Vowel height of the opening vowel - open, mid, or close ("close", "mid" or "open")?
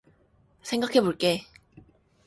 mid